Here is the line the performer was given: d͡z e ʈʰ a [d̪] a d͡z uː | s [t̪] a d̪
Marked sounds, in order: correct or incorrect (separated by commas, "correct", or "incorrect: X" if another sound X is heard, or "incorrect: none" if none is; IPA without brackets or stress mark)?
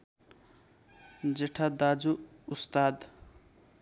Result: correct, correct